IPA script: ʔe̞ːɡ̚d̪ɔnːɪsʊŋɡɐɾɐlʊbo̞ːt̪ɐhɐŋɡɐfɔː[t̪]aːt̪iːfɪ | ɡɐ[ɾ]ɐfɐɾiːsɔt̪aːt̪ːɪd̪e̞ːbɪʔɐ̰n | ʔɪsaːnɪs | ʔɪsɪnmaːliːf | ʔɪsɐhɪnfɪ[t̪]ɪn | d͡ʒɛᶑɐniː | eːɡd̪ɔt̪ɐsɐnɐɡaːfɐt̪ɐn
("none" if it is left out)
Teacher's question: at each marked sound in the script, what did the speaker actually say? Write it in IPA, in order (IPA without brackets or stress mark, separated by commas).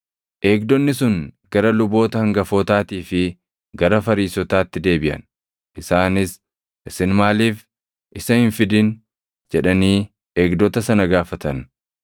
t̪, ɾ, d̪